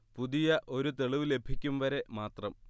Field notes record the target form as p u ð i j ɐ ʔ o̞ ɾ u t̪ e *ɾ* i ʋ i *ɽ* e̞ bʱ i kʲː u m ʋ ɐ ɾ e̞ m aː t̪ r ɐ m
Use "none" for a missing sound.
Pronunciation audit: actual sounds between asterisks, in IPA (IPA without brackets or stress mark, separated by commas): ɭ, l